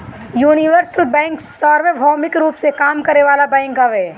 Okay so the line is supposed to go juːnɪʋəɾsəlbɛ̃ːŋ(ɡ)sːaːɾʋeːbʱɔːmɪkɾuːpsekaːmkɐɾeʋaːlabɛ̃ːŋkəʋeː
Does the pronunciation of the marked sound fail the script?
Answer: yes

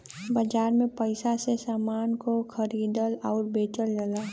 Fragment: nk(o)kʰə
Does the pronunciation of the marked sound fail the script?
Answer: no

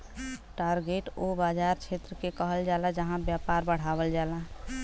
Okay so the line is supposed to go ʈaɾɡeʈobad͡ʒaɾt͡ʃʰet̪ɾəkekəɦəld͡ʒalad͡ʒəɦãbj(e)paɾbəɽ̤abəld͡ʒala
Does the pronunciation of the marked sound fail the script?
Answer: yes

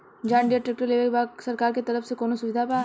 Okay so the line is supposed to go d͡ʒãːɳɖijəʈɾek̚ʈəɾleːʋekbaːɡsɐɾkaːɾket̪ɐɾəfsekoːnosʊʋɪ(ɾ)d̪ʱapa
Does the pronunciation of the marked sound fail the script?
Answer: yes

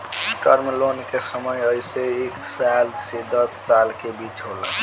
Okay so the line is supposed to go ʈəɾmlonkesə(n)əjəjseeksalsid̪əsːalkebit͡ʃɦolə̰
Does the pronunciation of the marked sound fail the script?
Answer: yes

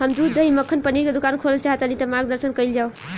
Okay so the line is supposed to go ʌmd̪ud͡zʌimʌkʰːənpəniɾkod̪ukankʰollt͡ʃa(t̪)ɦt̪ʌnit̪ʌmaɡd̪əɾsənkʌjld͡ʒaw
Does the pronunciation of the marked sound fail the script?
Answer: yes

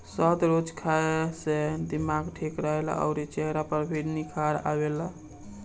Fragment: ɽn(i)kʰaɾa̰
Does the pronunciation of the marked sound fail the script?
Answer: no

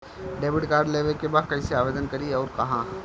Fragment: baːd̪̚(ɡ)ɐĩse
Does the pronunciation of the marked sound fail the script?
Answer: yes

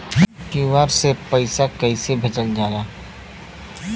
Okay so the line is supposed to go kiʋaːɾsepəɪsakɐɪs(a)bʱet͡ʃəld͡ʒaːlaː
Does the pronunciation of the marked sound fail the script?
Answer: yes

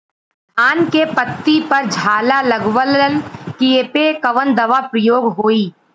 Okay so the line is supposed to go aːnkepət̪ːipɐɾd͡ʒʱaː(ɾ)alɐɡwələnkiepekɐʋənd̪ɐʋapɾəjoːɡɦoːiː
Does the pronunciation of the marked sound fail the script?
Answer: yes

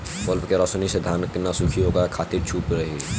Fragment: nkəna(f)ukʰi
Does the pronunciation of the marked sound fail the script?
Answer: yes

